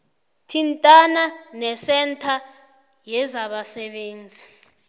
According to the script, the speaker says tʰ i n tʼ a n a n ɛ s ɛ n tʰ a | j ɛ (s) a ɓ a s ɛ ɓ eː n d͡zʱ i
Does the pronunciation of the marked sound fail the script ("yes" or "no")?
yes